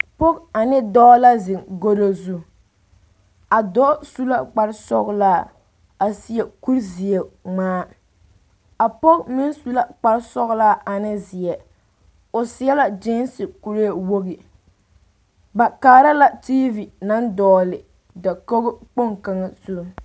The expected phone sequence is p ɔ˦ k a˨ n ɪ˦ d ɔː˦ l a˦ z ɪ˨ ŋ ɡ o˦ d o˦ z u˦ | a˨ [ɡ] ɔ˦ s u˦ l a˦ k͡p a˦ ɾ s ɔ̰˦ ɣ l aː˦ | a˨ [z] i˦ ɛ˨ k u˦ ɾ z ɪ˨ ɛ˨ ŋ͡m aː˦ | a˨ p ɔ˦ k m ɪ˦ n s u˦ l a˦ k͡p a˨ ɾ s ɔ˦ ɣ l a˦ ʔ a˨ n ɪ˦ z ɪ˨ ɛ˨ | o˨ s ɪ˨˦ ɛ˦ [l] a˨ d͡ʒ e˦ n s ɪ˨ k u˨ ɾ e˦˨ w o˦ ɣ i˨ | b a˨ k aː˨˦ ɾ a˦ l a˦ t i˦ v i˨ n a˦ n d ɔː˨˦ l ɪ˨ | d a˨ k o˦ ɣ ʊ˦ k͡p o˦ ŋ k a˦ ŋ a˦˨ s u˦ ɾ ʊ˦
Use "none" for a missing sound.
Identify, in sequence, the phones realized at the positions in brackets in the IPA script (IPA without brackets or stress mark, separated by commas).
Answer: d, s, l